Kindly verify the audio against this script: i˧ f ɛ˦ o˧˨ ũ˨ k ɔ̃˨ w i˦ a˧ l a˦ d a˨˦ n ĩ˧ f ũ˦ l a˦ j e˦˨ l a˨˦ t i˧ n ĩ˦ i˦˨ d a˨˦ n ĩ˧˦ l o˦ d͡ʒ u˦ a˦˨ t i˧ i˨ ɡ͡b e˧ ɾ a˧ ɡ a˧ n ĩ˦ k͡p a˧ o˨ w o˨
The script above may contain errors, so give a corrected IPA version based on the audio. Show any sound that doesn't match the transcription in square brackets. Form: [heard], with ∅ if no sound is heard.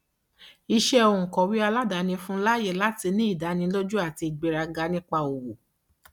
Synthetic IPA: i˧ [ʃ] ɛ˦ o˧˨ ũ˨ k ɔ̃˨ w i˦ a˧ l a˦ d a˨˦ n ĩ˧ f ũ˦ l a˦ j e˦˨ l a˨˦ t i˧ n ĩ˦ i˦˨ d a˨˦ n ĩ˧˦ l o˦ d͡ʒ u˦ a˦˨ t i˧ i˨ ɡ͡b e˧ ɾ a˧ ɡ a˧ n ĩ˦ k͡p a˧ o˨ w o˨